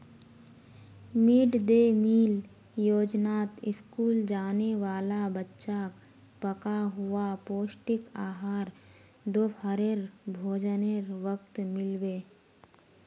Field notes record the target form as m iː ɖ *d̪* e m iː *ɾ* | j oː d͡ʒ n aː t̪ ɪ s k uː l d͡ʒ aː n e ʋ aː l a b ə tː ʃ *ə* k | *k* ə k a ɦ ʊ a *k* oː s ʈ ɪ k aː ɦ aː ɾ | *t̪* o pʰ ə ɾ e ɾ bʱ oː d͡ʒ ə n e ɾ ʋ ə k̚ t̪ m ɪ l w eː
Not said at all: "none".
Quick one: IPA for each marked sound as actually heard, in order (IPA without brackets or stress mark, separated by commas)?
d̪, l, a, p, p, d̪